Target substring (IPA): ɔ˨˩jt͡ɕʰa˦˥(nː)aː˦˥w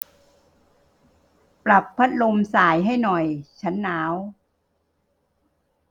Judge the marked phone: correct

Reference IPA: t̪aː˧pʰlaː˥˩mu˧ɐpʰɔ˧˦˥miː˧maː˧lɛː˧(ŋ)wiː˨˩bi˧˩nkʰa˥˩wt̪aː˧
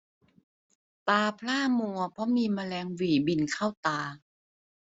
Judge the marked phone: correct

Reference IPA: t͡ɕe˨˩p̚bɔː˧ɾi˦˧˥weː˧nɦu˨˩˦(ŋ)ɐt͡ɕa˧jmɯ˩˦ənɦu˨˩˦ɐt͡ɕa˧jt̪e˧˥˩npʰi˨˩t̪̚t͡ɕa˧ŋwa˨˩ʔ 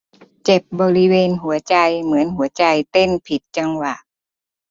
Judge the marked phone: incorrect: none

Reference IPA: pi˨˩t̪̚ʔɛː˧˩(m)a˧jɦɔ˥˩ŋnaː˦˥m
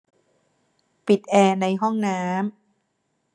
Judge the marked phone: incorrect: n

